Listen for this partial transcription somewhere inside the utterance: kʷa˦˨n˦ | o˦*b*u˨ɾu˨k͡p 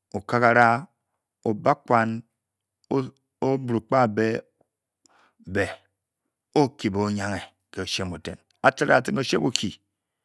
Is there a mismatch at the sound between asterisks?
no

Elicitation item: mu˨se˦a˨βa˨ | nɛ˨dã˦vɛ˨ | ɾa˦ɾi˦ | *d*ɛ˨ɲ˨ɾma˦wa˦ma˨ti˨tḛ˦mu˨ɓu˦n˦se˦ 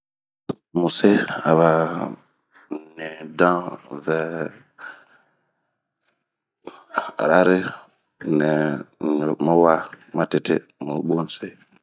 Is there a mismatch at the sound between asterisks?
yes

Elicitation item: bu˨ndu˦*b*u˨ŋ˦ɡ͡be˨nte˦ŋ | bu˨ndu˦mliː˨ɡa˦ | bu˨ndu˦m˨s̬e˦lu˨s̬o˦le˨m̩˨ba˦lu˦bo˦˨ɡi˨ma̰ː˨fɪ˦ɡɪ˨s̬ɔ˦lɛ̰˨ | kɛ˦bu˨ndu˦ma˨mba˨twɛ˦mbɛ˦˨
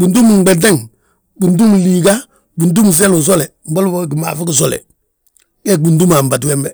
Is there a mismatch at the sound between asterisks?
yes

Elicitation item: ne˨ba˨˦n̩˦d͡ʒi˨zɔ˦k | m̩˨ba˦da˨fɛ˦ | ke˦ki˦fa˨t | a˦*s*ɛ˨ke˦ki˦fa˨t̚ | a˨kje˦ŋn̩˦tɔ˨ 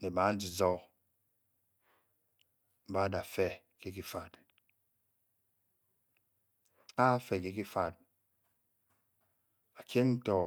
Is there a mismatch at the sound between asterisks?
yes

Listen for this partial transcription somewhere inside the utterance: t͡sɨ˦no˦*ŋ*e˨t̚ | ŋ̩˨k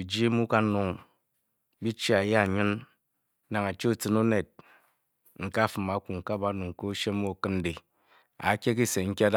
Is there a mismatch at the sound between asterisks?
yes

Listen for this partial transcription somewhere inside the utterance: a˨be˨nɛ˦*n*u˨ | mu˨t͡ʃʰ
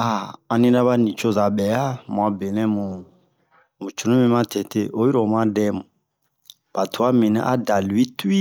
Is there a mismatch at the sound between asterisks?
yes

